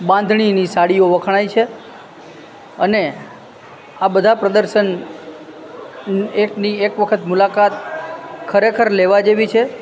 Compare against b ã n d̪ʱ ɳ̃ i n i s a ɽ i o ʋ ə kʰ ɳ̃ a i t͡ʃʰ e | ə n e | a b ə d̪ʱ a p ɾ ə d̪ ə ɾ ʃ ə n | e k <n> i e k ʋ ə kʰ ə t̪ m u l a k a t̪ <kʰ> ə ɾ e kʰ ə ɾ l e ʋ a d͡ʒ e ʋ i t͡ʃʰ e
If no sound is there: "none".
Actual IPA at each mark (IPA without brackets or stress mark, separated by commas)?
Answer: n, kʰ